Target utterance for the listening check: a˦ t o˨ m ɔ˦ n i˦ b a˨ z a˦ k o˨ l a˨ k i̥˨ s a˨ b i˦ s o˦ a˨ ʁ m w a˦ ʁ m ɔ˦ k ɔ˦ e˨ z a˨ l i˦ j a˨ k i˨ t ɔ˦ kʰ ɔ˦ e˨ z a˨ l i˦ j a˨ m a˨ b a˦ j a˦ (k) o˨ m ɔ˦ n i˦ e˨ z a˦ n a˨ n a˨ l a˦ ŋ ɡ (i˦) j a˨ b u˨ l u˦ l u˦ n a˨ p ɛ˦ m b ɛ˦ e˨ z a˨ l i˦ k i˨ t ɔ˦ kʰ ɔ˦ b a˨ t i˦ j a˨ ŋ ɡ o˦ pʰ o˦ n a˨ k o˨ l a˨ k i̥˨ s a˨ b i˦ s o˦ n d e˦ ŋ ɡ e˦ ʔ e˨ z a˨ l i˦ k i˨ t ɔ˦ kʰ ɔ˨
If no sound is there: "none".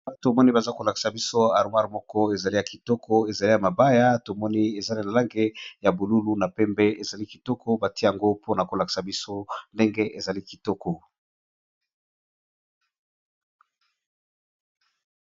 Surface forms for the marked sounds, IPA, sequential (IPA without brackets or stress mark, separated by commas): t, e˦